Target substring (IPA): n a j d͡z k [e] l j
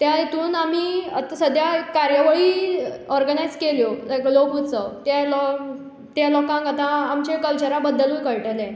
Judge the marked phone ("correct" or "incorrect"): correct